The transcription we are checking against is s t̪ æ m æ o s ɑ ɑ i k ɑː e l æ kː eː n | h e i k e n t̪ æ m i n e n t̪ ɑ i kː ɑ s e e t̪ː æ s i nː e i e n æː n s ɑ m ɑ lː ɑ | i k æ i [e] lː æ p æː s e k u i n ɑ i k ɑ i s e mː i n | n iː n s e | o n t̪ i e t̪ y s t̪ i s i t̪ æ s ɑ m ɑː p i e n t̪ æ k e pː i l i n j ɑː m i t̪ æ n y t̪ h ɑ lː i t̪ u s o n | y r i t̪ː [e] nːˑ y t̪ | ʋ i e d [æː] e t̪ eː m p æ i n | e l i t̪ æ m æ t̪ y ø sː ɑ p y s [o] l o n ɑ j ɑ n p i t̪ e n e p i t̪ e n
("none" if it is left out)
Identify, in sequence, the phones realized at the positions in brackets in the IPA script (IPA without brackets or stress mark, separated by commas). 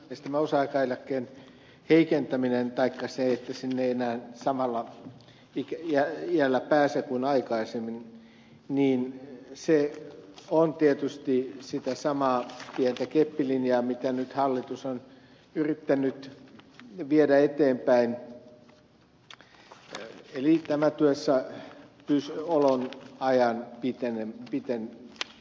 æ, æ, æ, o